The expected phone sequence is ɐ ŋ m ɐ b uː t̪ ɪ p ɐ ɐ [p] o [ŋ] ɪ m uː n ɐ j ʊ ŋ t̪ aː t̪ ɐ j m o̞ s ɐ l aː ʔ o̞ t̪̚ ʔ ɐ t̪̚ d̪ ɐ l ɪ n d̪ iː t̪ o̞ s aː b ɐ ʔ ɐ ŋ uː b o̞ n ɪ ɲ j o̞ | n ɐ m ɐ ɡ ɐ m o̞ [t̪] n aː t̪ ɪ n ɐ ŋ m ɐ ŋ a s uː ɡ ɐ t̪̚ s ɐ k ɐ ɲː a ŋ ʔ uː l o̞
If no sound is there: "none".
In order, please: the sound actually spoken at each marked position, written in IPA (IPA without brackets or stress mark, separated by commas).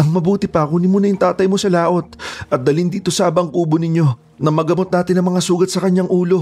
k, n, t̪